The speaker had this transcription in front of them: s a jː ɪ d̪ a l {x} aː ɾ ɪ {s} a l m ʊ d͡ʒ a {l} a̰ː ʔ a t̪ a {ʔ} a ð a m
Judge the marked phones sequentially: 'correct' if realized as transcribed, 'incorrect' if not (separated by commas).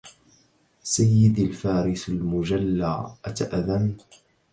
incorrect, correct, incorrect, correct